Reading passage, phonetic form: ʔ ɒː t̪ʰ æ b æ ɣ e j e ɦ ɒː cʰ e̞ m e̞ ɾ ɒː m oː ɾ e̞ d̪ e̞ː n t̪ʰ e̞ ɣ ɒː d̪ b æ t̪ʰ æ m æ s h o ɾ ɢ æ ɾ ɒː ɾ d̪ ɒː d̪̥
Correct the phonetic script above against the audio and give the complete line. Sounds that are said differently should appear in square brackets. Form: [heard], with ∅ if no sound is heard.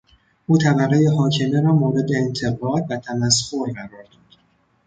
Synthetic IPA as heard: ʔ [uː] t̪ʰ æ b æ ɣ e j e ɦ ɒː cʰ e̞ m e̞ ɾ ɒː m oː ɾ e̞ d̪ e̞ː n t̪ʰ e̞ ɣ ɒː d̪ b æ t̪ʰ æ m æ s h o ɾ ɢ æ ɾ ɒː ɾ d̪ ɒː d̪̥